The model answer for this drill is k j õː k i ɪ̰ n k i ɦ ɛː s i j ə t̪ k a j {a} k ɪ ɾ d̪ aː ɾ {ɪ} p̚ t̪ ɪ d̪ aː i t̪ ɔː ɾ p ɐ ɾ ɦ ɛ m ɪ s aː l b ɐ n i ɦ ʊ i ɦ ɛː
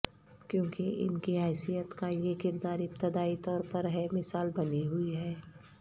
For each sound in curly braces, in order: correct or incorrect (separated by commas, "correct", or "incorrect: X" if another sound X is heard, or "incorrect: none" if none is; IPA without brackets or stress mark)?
incorrect: e, correct